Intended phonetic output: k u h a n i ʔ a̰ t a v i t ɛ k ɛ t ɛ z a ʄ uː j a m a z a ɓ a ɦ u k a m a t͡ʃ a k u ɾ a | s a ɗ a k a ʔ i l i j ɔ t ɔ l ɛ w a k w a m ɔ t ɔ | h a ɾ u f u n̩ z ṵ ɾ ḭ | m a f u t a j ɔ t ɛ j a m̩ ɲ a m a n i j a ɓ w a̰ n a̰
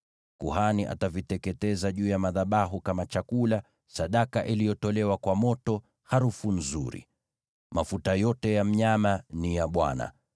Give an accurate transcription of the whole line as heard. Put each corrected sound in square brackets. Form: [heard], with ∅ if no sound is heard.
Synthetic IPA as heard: k u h a n i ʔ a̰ t a v i t ɛ k ɛ t ɛ z a ʄ uː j a m a [ð] a ɓ a ɦ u k a m a t͡ʃ a k u [l] a | s a ɗ a k a ʔ i l i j ɔ t ɔ l ɛ w a k w a m ɔ t ɔ | h a ɾ u f u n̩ z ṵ ɾ ḭ | m a f u t a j ɔ t ɛ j a m̩ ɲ a m a n i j a ɓ w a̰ n a̰